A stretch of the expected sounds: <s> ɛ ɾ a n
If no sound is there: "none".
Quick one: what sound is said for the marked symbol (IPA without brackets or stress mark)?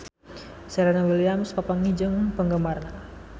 s